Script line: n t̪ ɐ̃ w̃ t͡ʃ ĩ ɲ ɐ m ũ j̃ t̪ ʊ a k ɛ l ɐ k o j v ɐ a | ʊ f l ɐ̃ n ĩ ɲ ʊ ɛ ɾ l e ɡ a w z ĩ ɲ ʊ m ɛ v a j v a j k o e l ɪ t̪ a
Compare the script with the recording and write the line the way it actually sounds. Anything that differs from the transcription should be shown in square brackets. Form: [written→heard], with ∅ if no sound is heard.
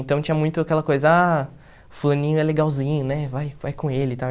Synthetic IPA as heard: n t̪ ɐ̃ w̃ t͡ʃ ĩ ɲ ɐ m ũ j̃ t̪ ʊ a k ɛ l ɐ k o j [v→z] ɐ a | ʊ f l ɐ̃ n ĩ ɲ ʊ ɛ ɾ l e ɡ a w z ĩ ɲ ʊ [m→n] ɛ v a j v a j k [o→õ] e l ɪ t̪ a